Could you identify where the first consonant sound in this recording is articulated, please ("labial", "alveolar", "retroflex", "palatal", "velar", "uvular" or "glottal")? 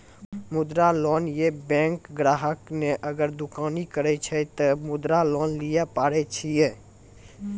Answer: labial